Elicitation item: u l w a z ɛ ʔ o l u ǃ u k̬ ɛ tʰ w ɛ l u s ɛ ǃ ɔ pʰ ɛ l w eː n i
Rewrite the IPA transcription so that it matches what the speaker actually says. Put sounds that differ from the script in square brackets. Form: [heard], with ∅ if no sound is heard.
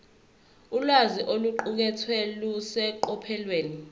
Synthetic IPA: u l w a z [i] ʔ o l u ǃ u k̬ ɛ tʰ w ɛ l u s ɛ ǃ ɔ pʰ ɛ l w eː n i